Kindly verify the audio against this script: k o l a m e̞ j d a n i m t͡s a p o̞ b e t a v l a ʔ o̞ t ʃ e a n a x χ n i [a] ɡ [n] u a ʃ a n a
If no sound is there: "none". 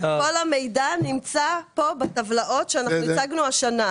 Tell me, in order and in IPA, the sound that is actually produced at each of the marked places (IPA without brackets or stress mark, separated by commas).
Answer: a, n